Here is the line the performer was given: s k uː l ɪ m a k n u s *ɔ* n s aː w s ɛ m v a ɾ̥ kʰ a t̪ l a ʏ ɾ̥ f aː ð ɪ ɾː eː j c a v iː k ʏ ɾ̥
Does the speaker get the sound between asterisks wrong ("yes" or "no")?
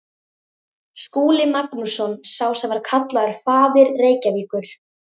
no